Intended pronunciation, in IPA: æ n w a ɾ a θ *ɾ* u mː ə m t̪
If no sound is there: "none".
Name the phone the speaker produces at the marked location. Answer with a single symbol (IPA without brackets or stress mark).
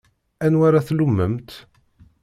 l